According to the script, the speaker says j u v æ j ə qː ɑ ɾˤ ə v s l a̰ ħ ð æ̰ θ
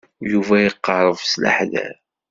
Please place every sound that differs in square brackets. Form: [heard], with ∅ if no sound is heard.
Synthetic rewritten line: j u v æ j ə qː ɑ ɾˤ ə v s l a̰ ħ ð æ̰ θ